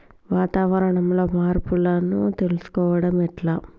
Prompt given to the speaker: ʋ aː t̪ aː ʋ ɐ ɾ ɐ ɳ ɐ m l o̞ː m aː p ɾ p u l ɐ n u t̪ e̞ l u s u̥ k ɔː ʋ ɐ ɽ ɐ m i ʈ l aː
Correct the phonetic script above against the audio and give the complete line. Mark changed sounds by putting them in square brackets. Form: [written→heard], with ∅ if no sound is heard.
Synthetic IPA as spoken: ʋ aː t̪ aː ʋ ɐ ɾ ɐ ɳ ɐ m l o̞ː m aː [p→∅] ɾ p u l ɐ n u t̪ e̞ l u s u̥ k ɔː ʋ ɐ ɽ ɐ m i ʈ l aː